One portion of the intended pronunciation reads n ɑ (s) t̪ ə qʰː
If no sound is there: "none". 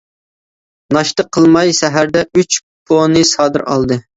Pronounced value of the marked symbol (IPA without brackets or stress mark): ʃ